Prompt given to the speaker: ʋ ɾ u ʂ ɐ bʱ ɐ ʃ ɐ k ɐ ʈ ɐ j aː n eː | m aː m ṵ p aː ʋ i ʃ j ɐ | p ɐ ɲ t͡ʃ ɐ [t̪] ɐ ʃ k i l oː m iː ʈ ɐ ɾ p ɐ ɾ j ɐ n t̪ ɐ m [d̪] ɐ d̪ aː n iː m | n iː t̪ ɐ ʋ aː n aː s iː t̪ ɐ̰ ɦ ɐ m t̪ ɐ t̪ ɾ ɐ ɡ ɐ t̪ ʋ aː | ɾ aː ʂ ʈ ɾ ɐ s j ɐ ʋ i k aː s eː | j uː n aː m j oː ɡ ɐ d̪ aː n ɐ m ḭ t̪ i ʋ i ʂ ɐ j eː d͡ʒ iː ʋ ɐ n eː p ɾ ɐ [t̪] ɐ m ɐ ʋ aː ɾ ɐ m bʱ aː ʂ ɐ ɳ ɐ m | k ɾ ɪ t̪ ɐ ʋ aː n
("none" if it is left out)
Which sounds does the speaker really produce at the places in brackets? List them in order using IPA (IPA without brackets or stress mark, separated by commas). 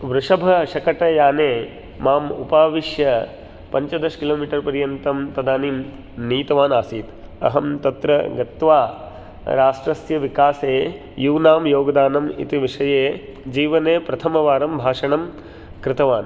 d̪, t̪, t̪ʰ